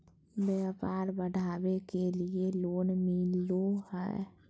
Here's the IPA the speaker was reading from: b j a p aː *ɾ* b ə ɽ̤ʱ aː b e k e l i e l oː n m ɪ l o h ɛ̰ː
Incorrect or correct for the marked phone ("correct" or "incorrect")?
correct